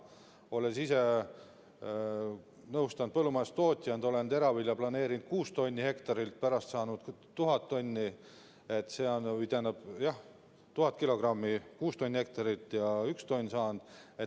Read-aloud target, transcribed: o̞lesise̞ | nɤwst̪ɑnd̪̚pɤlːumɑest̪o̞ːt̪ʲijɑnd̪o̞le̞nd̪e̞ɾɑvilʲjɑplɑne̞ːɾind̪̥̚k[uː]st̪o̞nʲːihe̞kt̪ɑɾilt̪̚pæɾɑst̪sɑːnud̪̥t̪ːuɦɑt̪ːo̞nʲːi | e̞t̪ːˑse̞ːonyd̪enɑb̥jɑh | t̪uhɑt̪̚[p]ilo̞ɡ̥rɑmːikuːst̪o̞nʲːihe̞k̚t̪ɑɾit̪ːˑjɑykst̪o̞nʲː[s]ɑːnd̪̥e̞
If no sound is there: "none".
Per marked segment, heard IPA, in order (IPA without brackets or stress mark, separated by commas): uː, k, s